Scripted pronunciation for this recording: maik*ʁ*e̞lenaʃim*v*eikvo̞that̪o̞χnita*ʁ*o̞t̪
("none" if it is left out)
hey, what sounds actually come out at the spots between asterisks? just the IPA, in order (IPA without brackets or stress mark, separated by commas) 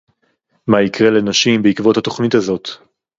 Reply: ʁ, b, z